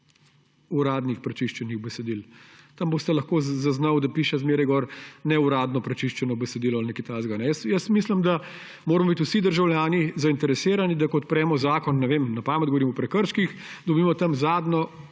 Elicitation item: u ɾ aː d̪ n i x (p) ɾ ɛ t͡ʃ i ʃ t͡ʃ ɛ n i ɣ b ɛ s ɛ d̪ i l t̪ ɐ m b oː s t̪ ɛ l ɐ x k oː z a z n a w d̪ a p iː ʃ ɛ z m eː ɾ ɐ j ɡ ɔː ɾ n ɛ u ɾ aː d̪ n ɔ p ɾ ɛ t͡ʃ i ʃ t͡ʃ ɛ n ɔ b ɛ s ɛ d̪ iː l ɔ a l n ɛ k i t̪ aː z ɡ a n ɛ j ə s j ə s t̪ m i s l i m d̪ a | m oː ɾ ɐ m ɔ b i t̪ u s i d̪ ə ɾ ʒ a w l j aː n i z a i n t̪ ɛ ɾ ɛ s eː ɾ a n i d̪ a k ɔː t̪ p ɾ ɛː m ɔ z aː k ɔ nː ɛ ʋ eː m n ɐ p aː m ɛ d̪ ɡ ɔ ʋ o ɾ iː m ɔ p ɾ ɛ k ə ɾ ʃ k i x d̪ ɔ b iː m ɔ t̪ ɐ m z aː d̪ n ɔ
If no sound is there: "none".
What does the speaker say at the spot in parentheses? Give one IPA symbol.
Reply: p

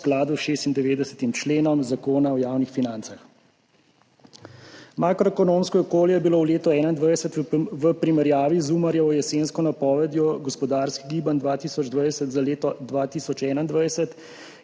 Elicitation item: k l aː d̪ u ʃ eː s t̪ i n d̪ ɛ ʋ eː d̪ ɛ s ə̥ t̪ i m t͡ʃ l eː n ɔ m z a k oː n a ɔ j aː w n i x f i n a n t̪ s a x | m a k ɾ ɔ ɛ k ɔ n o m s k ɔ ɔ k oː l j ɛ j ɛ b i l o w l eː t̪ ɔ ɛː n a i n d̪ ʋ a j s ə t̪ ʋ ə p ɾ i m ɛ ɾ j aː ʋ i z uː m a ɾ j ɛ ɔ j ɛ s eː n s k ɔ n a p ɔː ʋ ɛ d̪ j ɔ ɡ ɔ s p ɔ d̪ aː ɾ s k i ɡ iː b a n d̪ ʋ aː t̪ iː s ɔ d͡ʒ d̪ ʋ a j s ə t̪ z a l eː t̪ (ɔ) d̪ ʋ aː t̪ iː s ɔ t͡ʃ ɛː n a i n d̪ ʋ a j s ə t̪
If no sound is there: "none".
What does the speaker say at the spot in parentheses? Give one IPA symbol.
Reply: ɔ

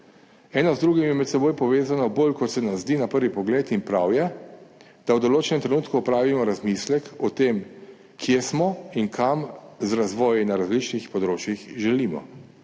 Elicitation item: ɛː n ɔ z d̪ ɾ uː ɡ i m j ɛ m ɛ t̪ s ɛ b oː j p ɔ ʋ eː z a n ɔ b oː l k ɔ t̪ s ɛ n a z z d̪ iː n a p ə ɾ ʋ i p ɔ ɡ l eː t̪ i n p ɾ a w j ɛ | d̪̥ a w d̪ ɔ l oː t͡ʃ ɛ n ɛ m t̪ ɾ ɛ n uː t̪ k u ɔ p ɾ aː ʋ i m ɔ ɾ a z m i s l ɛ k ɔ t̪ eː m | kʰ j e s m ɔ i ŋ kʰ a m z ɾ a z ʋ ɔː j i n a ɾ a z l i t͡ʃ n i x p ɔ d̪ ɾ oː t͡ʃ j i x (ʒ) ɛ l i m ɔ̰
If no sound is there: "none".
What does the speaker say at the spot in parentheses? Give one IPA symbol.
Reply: ʒ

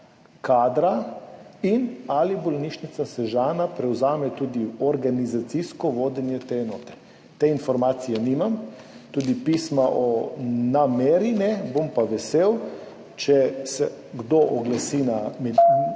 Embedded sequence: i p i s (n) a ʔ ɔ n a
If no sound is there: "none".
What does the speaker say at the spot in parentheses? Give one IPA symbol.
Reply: m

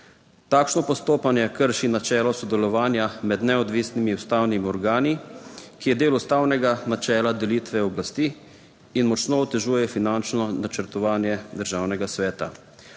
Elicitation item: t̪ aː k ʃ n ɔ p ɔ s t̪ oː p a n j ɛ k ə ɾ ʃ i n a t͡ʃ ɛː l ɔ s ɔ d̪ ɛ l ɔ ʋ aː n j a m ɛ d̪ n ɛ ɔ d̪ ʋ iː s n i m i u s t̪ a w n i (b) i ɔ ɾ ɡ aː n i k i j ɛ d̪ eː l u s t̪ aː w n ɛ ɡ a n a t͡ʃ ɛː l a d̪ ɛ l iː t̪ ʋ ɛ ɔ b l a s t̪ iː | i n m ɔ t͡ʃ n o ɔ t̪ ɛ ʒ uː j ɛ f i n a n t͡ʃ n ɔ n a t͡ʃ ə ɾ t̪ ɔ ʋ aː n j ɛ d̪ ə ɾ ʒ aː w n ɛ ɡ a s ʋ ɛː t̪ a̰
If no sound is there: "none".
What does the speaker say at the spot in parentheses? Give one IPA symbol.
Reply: m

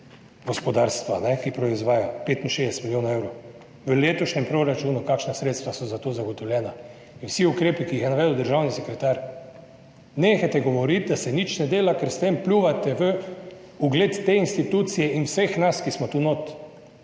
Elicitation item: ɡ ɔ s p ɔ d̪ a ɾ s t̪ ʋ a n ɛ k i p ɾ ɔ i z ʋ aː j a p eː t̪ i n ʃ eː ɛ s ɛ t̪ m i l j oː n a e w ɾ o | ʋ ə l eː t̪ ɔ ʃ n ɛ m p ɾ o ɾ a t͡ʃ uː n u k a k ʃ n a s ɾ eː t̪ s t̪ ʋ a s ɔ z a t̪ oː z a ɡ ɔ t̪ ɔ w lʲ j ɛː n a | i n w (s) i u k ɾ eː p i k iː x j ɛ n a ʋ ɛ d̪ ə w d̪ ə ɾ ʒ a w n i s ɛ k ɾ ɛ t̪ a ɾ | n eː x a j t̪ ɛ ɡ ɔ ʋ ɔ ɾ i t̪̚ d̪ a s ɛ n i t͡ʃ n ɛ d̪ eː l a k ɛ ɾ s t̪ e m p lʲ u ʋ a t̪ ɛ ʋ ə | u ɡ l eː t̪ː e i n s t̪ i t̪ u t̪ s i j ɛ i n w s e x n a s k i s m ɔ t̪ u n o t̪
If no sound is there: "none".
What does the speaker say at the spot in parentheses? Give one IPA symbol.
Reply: s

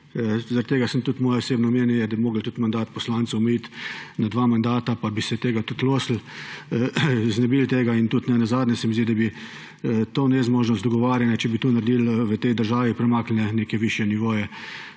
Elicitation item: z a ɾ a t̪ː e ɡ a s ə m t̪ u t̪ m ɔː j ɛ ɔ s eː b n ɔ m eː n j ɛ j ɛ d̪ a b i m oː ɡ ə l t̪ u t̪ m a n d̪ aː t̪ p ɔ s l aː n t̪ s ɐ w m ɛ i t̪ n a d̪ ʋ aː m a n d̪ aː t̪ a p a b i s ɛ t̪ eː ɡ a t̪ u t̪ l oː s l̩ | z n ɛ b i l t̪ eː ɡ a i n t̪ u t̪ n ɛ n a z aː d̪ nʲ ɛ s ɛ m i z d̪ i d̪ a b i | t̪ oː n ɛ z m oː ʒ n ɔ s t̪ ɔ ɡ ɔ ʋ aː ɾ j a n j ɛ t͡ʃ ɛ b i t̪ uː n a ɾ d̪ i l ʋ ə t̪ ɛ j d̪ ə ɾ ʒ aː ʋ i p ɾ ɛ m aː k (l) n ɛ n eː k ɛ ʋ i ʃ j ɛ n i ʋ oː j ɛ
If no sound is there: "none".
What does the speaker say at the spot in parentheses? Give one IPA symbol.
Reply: l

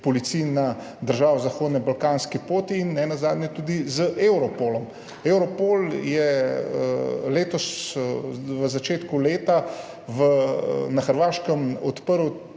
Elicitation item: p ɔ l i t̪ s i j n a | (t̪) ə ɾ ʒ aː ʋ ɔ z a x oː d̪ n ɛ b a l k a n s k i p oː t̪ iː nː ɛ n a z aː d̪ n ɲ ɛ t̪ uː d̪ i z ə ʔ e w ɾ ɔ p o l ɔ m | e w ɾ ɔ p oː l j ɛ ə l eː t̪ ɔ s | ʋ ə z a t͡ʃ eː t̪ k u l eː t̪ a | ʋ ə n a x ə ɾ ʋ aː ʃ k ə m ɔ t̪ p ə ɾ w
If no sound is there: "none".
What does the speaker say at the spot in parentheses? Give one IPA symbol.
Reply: d̪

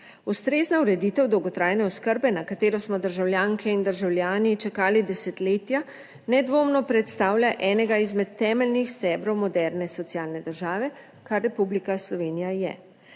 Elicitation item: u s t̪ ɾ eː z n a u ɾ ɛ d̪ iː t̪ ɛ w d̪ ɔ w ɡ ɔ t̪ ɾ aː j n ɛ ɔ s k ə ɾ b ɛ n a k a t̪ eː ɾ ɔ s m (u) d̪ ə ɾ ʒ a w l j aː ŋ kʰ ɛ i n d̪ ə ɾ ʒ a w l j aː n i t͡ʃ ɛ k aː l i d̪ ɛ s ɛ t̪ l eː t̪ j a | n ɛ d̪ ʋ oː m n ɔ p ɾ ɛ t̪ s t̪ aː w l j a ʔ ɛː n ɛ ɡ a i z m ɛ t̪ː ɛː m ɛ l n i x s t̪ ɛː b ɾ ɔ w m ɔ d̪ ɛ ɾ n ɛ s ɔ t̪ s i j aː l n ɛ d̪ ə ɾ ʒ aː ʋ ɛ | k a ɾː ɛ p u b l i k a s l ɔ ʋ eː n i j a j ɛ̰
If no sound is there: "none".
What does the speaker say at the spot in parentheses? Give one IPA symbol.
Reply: ɔ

